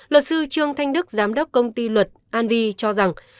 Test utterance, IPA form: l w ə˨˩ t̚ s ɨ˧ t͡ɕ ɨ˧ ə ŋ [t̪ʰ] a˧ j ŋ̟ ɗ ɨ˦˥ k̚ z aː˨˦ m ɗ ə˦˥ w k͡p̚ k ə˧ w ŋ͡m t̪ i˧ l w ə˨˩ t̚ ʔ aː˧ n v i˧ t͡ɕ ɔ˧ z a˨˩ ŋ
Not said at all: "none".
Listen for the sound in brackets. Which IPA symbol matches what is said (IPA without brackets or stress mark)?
t̪ʰ